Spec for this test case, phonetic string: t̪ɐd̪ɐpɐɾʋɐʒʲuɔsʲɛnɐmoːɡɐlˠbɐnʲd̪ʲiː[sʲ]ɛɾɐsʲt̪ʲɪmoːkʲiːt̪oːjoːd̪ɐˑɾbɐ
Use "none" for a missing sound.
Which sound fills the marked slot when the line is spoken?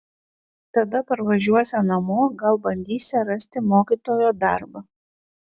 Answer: sʲ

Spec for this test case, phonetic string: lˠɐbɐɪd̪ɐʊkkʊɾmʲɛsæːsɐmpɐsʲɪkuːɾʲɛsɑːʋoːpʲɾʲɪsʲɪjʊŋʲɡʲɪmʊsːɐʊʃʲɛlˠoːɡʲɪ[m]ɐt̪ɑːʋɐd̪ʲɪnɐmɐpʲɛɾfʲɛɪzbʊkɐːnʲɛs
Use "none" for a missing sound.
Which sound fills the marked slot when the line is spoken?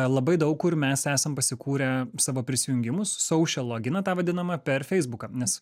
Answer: n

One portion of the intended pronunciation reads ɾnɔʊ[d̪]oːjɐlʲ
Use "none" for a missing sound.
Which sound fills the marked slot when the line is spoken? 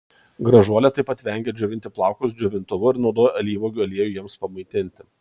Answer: d̪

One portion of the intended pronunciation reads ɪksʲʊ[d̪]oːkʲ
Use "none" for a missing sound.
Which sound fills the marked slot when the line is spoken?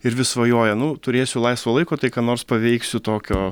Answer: t̪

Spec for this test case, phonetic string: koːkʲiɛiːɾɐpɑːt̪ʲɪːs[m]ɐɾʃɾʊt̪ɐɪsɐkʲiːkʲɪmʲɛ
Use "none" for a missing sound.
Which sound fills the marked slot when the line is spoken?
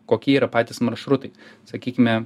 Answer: m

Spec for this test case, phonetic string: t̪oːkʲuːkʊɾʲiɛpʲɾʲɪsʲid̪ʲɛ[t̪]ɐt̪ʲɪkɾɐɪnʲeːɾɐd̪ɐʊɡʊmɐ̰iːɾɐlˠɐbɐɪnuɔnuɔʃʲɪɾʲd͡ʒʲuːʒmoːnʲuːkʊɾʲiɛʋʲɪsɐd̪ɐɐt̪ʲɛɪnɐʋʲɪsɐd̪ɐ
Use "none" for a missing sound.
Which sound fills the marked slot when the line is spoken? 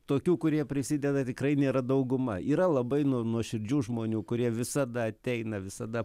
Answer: d̪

